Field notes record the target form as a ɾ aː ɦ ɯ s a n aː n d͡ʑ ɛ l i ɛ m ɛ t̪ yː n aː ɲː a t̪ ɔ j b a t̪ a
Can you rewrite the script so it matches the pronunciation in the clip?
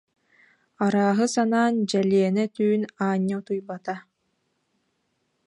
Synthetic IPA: a ɾ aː ɦ ɯ s a n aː n d͡ʑ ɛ l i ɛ n ɛ t̪ yː n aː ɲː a t̪ u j b a t̪ a